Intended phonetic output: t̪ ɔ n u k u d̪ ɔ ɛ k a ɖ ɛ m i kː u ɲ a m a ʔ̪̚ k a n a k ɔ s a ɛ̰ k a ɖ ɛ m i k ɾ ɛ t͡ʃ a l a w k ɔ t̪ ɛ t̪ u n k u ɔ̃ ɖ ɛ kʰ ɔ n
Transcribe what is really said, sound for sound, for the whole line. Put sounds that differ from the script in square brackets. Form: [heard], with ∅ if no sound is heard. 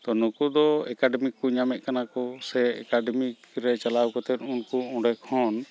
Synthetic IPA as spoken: t̪ ɔ n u k u d̪ ɔ ɛ k a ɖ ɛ m i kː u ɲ a m [ɛ] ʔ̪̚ k a n a k ɔ s [ɛ] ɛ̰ k a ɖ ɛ m i k ɾ ɛ t͡ʃ a l a w k ɔ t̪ ɛ t̪ u n k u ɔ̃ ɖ ɛ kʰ ɔ n